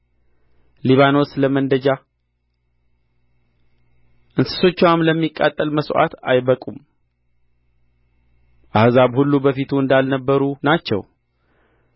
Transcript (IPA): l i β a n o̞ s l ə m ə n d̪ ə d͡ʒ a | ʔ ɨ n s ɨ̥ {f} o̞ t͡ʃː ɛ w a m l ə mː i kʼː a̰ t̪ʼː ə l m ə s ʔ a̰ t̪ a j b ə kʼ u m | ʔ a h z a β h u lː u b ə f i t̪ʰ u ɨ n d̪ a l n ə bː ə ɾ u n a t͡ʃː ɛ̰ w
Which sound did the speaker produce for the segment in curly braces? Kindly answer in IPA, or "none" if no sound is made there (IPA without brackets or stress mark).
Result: s